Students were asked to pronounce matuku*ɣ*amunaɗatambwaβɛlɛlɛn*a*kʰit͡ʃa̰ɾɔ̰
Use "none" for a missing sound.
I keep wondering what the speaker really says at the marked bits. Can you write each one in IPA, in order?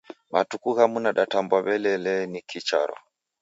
ɣ, i

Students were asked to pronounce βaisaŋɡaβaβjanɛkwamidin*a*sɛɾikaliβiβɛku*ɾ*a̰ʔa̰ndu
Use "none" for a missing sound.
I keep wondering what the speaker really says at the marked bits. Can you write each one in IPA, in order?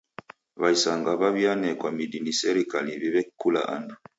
i, l

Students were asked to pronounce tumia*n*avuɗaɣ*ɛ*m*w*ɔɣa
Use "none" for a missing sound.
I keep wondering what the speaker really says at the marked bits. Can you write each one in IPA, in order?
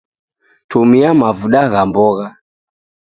m, a, b

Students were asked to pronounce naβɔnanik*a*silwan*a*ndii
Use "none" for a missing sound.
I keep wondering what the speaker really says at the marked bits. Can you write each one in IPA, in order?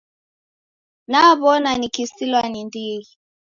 i, i

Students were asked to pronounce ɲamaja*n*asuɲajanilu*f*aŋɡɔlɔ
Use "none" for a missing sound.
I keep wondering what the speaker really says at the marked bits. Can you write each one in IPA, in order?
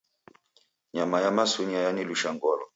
m, ʃ

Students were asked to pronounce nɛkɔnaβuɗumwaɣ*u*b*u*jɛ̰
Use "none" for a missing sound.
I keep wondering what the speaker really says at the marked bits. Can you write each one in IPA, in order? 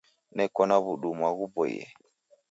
u, ɔ

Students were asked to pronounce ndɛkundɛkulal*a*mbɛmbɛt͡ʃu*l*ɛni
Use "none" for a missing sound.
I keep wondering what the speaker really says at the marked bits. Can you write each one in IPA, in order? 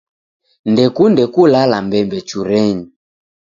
a, ɾ

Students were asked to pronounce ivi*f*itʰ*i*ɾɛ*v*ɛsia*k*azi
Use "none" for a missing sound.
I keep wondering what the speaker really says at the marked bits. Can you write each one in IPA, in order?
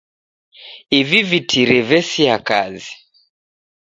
v, i, v, k

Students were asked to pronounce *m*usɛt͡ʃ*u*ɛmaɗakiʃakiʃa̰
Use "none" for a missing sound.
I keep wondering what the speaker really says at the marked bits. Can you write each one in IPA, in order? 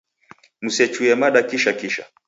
m, u

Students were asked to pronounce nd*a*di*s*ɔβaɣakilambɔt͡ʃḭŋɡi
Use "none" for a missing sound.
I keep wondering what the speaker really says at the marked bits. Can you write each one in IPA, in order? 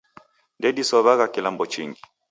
ɛ, s

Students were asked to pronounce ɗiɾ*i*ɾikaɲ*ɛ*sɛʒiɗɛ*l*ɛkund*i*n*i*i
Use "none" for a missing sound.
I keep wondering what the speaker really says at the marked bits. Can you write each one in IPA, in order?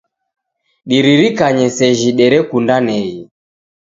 i, ɛ, ɾ, a, ɛ

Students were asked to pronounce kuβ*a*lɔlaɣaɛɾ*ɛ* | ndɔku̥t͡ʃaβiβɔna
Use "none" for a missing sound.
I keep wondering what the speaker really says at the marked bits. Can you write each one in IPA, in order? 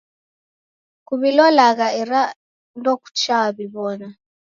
i, a

